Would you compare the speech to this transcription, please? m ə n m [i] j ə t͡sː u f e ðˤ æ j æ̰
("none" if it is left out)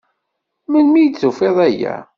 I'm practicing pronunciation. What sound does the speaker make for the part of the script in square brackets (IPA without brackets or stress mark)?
i